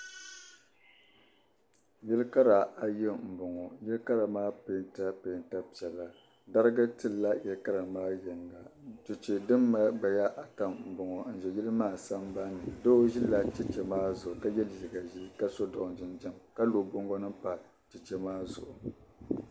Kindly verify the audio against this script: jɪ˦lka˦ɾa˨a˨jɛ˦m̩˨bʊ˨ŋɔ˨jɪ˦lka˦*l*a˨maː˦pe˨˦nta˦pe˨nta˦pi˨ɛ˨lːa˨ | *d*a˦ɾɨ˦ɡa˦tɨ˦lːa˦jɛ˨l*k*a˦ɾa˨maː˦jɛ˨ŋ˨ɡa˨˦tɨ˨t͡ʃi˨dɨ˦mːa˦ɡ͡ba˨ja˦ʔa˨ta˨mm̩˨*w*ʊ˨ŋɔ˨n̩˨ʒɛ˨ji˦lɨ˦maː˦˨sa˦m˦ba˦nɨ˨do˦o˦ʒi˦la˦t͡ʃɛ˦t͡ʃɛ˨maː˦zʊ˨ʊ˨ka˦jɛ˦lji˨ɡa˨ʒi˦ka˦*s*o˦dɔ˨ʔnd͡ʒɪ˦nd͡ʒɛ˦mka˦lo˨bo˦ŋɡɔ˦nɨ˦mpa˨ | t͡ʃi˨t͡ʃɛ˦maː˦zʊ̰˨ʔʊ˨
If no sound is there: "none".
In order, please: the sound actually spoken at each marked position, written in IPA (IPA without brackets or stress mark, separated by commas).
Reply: ɾ, d, k, b, s